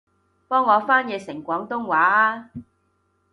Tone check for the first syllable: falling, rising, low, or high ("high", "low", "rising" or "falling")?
high